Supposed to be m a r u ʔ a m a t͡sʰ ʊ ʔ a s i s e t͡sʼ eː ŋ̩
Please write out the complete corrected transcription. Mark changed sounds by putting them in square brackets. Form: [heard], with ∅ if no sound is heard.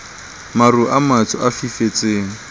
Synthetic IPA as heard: m a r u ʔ a m a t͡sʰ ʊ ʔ a [f] i [f] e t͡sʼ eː ŋ̩